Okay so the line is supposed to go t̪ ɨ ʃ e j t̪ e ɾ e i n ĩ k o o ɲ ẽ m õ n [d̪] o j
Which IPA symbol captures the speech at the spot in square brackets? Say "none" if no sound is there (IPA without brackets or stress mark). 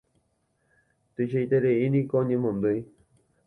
d̪